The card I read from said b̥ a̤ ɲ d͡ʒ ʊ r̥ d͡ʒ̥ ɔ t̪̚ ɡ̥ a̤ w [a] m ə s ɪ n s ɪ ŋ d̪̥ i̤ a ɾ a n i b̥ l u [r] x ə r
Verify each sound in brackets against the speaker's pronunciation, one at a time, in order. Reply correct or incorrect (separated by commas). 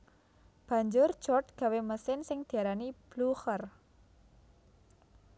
incorrect, incorrect